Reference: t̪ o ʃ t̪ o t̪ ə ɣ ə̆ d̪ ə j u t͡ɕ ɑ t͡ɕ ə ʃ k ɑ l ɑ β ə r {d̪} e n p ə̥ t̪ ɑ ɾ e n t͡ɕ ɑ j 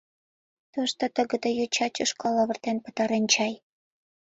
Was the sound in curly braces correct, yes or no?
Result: no